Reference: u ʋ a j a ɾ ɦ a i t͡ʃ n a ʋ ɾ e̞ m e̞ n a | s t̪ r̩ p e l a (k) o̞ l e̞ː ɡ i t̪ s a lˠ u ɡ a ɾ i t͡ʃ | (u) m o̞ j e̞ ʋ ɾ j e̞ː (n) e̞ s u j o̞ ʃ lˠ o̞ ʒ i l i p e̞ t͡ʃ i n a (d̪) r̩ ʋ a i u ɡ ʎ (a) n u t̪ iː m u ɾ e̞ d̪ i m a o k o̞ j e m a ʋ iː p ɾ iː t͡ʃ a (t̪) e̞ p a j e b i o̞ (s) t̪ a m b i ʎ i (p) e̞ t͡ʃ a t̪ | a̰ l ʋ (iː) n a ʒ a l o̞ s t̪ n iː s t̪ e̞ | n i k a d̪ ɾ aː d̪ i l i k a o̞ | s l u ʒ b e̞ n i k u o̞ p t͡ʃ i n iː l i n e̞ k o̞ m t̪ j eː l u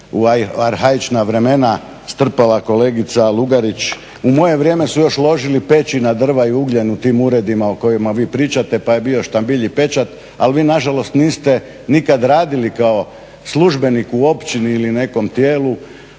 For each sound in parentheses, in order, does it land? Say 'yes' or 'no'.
yes, yes, no, yes, no, yes, no, yes, yes

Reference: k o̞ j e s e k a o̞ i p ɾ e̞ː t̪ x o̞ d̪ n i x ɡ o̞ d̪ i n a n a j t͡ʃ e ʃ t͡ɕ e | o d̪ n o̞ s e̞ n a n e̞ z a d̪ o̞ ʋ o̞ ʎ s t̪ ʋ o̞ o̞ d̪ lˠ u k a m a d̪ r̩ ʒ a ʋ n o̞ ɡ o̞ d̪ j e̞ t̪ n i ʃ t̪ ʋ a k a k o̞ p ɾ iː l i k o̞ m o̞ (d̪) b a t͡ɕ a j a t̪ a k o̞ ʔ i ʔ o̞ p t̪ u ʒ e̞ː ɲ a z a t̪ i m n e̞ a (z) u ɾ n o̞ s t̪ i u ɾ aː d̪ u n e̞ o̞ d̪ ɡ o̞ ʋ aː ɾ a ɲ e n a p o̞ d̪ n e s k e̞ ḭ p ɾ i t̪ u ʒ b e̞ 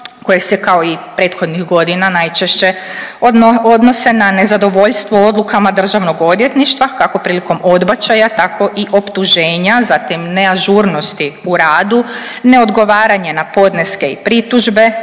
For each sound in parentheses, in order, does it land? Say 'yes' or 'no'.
yes, no

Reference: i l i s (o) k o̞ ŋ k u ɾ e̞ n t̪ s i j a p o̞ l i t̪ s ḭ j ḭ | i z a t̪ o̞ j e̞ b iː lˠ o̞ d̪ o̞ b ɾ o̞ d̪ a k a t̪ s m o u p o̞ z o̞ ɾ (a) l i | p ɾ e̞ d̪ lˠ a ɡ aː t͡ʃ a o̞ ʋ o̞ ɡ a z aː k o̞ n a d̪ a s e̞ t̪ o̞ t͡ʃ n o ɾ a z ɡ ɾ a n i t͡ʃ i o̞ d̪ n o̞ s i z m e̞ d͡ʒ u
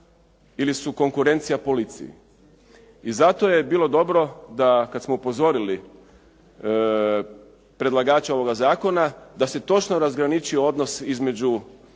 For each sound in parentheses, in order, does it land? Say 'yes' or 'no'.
no, no

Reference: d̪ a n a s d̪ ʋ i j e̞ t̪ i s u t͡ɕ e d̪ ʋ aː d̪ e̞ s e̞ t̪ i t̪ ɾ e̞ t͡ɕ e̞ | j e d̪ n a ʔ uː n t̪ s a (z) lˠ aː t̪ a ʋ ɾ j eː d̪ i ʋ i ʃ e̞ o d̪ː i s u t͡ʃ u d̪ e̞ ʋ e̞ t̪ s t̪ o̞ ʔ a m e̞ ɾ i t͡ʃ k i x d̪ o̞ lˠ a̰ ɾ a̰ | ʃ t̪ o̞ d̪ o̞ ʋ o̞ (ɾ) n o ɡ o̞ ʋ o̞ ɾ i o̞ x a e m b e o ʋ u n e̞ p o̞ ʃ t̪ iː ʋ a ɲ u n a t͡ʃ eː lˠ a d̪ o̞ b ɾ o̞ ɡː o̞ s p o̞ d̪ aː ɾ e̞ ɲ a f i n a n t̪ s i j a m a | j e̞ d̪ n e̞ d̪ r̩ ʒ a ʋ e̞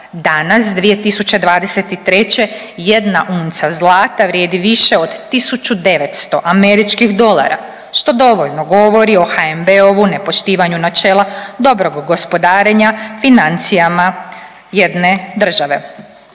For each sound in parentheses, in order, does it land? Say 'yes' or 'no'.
yes, no

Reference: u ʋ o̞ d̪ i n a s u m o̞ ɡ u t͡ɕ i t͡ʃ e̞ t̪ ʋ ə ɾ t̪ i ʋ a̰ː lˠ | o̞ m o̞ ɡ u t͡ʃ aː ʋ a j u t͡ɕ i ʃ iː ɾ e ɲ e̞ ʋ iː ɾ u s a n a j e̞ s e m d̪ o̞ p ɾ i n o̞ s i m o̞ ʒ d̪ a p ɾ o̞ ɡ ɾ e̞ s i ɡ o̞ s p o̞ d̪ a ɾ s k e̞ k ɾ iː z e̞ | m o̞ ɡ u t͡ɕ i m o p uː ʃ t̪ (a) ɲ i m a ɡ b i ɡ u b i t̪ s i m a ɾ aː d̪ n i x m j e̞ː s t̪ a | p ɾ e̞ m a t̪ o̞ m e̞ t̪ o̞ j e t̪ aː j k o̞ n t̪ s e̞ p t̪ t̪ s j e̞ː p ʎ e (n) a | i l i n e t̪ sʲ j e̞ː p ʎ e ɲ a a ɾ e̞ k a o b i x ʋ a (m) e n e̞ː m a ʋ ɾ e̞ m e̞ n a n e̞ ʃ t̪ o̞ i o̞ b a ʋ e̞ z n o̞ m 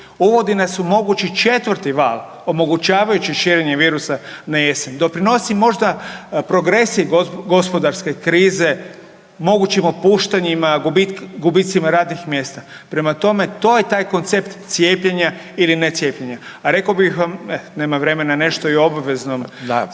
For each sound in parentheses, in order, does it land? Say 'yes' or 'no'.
yes, no, yes

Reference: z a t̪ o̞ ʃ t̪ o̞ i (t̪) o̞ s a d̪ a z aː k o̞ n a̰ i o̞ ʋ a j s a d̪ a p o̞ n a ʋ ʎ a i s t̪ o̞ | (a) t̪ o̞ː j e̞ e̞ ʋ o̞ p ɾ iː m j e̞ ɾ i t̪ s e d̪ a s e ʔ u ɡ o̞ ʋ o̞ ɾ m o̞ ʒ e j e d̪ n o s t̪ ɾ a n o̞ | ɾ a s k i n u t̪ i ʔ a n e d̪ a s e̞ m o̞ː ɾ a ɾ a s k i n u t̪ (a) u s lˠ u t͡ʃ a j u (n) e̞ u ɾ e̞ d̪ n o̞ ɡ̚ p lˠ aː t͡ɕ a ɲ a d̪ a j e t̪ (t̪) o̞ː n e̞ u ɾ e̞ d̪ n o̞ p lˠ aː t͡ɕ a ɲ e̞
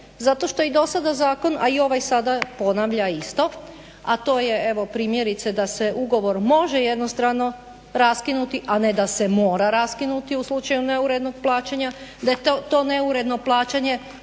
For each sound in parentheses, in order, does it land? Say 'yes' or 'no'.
no, yes, no, yes, yes

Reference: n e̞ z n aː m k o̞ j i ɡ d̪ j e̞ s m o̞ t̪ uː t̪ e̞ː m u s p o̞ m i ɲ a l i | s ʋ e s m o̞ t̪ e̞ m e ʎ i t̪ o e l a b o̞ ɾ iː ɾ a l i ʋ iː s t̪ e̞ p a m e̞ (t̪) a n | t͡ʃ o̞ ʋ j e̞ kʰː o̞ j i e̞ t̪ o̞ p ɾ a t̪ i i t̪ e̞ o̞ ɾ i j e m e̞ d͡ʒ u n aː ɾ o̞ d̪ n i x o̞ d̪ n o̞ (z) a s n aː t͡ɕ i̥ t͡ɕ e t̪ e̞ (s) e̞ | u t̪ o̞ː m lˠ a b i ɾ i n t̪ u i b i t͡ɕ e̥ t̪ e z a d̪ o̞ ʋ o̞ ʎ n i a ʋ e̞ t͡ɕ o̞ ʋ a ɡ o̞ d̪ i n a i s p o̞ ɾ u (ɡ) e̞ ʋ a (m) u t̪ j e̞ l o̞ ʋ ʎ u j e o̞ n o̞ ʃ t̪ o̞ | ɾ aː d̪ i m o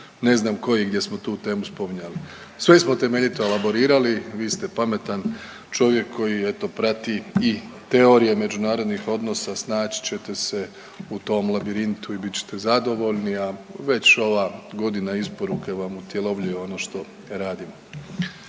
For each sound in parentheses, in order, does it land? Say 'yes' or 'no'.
yes, no, yes, no, yes

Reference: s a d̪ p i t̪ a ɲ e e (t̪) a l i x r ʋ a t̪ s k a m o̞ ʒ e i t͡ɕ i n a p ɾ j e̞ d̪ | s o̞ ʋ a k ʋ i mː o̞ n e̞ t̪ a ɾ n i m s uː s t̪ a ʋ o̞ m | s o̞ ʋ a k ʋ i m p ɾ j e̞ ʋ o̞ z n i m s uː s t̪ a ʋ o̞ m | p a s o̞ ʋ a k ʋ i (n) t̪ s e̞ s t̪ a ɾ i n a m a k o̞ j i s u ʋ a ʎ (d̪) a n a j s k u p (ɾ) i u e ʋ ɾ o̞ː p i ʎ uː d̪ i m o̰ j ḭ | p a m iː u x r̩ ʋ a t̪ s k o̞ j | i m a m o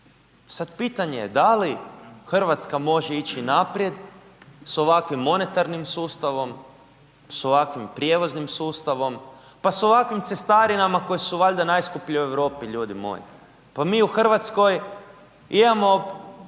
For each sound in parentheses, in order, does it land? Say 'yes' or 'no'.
no, no, yes, no

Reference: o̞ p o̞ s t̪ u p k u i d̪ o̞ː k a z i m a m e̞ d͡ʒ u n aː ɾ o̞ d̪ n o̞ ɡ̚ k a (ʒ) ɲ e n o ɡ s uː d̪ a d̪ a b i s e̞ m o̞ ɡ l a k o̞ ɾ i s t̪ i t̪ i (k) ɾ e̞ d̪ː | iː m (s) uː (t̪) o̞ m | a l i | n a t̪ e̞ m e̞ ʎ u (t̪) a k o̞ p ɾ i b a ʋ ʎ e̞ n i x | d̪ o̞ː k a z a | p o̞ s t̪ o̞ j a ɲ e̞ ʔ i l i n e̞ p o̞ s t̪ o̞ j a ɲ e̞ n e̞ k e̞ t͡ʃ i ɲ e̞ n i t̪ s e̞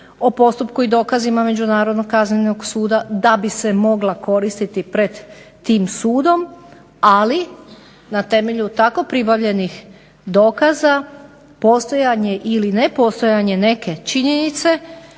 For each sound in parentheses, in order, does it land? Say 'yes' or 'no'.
no, no, yes, no, yes

